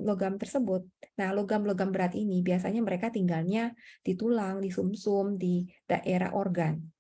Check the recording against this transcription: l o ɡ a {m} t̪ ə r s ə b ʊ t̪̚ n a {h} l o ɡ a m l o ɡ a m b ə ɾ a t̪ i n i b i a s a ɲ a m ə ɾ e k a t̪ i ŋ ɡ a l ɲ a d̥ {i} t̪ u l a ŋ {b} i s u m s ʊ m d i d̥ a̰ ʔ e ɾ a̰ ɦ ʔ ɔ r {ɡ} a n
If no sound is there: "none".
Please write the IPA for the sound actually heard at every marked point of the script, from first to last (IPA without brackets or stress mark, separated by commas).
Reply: m, h, i, d, ɡ